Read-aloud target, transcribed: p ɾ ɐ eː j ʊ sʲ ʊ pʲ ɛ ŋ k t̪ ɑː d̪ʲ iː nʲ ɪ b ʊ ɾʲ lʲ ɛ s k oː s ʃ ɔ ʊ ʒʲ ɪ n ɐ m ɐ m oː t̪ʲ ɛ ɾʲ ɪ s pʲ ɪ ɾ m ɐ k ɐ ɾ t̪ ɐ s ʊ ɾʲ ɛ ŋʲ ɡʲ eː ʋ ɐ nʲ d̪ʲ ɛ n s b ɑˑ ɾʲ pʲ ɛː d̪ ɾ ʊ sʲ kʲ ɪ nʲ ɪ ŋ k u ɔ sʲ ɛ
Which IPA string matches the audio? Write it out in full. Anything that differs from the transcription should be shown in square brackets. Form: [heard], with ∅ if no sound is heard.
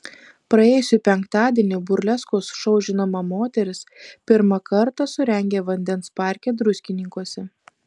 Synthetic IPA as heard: p ɾ ɐ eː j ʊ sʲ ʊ pʲ ɛ ŋ k t̪ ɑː d̪ʲ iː nʲ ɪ b ʊ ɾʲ lʲ ɛ s k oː s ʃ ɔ ʊ ʒʲ ɪ n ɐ m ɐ m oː t̪ʲ ɛ ɾʲ ɪ s pʲ ɪ ɾ m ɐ k ɐ ɾ t̪ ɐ s ʊ ɾʲ ɛ ŋʲ ɡʲ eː ʋ ɐ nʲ d̪ʲ ɛ n s [p] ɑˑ ɾʲ [kʲ] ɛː d̪ ɾ ʊ sʲ kʲ ɪ nʲ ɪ ŋ k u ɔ sʲ ɛ